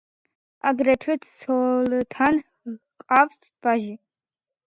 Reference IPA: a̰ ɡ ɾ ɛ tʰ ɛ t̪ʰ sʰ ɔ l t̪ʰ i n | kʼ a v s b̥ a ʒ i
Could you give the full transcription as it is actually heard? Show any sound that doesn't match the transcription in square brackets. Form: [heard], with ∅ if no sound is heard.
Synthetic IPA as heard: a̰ ɡ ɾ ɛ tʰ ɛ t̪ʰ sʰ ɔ l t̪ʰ [a] n | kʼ a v s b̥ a ʒ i